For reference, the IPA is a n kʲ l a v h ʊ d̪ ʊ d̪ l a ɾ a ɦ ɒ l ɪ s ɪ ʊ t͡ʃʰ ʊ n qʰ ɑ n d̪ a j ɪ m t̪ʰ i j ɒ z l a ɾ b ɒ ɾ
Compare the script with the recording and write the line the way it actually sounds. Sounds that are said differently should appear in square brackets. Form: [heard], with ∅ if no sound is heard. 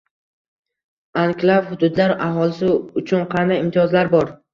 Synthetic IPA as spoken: a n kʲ l a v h ʊ d̪ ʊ d̪ l a ɾ a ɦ ɒ l ɪ s ɪ ʊ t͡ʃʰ ʊ n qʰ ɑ n d̪ a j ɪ m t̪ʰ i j ɒ z l a ɾ b ɒ ɾ